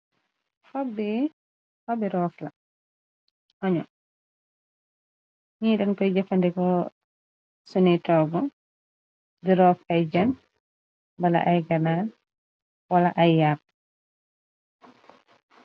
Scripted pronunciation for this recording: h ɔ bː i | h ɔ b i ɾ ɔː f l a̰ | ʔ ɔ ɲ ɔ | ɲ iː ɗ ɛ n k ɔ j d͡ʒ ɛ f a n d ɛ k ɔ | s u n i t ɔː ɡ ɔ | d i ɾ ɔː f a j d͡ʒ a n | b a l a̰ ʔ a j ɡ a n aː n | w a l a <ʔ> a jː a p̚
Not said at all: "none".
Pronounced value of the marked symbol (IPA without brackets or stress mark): ʔ